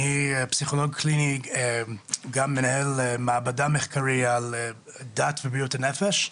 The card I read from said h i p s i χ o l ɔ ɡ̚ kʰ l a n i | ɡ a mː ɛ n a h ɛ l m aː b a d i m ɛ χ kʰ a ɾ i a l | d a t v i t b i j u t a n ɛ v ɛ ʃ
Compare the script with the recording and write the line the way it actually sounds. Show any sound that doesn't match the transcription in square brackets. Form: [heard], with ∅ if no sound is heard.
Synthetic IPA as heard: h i p s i χ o l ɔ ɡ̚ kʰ l [i] n i | ɡ a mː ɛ n a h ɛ l m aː b a d [a] m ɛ χ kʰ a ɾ i a l | d a t v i [∅] b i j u t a n ɛ [f] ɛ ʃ